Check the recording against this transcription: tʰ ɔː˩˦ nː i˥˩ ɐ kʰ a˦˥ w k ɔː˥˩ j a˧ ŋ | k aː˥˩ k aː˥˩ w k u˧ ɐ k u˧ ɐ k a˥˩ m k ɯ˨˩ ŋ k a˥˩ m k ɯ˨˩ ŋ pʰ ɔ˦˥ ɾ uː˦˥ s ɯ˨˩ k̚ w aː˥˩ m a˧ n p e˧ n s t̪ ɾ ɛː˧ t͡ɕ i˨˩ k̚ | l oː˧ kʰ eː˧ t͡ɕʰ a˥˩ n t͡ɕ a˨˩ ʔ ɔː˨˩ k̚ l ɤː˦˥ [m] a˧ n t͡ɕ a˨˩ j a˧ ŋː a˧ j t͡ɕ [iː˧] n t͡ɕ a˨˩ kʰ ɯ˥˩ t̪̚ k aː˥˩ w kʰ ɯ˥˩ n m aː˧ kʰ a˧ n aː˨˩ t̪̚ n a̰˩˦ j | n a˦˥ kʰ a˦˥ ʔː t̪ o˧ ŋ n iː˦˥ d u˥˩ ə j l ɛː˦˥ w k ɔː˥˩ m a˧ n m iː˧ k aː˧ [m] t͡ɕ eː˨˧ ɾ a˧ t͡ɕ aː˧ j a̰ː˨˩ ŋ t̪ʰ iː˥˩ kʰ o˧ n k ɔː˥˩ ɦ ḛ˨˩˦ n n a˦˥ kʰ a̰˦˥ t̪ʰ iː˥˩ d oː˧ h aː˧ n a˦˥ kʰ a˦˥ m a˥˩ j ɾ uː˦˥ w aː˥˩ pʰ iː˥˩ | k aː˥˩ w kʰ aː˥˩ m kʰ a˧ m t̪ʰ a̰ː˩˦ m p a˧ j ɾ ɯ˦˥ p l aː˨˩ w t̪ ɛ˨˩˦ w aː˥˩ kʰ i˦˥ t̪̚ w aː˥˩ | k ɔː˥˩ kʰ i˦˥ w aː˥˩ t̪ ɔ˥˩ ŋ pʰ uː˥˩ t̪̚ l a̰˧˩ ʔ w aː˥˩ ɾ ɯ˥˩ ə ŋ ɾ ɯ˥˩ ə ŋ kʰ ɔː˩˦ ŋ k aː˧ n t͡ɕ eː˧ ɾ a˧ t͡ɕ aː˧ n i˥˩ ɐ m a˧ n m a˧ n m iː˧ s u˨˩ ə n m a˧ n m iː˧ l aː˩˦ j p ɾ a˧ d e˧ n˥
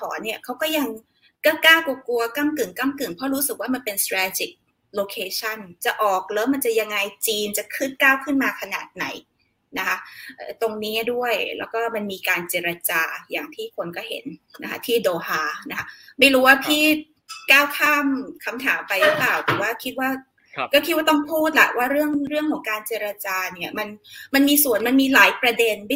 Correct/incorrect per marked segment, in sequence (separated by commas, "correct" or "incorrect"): correct, correct, incorrect